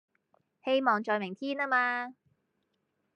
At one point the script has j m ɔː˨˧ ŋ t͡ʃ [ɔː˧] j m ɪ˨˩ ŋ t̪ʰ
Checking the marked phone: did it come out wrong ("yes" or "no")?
no